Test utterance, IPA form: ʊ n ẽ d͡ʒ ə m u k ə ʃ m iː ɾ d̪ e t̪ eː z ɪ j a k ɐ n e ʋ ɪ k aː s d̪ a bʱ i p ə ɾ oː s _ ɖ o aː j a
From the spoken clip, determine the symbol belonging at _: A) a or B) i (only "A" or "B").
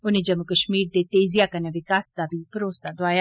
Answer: A